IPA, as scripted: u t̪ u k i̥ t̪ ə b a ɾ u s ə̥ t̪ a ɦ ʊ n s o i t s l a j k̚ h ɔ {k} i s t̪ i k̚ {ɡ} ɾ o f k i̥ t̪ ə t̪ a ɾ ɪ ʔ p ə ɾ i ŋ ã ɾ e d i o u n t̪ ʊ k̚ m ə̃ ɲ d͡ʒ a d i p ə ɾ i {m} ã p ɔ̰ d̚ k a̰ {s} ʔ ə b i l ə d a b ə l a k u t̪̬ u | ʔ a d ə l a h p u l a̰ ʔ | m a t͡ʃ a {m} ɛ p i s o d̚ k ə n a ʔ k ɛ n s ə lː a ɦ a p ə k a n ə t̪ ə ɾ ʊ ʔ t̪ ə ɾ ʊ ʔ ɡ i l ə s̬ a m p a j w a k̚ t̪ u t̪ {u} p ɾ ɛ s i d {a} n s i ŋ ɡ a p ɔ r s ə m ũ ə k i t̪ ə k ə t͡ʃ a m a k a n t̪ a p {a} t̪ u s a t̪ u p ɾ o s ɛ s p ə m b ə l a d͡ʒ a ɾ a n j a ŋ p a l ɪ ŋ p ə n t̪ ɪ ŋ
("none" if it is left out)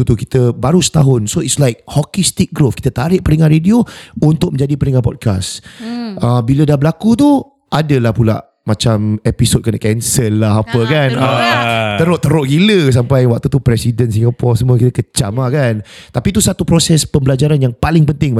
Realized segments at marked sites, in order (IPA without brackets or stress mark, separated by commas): k, ɡ, ŋ, s, m, u, ə, i